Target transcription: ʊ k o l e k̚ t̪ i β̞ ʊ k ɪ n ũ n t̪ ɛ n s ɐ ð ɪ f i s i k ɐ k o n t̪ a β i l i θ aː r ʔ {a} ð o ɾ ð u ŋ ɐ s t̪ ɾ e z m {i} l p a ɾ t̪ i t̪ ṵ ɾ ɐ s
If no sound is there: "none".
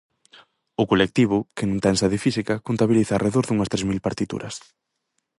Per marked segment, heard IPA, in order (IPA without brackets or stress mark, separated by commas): e, i